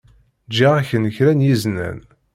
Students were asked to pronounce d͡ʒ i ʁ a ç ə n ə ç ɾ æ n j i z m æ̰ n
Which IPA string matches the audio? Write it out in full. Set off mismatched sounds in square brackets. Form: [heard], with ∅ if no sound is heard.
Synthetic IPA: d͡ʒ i ʁ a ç ə n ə ç ɾ æ n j i z [n] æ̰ n